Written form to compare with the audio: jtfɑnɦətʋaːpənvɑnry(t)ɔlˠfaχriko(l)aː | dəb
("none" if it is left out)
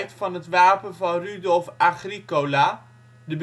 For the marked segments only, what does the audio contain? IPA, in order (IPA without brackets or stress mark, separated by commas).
d, l